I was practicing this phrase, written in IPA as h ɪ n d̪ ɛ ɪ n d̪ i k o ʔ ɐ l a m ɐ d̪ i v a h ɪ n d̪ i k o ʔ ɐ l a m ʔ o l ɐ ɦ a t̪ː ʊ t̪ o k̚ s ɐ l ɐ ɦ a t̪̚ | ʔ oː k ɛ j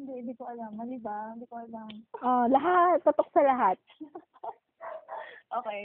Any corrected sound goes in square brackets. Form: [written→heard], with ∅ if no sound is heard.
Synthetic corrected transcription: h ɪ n d̪ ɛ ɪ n d̪ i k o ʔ ɐ l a m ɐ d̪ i [v→b] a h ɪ n d̪ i k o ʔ ɐ l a m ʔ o l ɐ ɦ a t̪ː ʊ t̪ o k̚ s ɐ l ɐ ɦ a t̪̚ | ʔ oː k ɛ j